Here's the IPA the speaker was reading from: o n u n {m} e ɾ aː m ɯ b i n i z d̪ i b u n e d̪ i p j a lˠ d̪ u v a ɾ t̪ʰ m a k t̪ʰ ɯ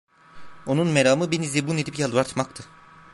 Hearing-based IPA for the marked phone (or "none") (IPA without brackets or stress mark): m